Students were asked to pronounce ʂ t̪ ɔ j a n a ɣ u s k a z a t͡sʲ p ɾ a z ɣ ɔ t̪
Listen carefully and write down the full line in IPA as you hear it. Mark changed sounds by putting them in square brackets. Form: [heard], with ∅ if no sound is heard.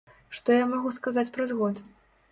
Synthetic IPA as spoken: ʂ t̪ ɔ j a [m] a ɣ u s k a z a t͡sʲ p ɾ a z ɣ ɔ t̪